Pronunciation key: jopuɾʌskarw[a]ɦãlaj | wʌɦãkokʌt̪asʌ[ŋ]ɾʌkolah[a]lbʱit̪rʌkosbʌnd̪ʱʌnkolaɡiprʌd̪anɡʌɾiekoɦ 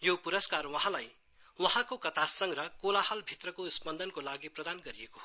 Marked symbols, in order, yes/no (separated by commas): no, yes, no